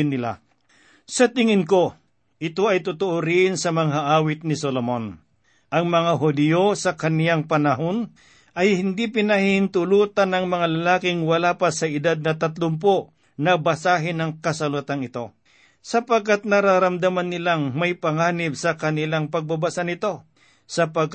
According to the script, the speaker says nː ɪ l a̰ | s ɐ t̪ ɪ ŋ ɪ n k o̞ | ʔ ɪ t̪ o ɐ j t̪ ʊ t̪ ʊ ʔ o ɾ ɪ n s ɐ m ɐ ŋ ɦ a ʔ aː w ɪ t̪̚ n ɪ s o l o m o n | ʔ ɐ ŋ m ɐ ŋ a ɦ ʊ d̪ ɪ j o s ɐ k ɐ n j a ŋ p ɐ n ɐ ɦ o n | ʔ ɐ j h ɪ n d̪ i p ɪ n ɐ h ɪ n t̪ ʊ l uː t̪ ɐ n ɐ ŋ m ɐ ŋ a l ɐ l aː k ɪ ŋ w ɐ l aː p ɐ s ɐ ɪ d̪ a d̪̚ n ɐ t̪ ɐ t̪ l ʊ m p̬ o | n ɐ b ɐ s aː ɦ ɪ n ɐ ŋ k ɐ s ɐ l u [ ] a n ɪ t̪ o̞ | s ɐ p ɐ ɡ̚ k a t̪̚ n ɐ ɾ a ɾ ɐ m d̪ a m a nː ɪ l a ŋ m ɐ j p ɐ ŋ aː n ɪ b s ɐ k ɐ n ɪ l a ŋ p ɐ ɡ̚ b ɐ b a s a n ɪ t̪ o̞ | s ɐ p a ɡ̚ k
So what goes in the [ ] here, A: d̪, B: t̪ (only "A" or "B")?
B